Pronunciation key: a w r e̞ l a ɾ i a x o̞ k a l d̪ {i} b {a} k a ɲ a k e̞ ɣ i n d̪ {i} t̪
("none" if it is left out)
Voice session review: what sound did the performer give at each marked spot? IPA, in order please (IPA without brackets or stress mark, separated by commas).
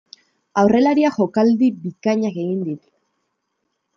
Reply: i, i, i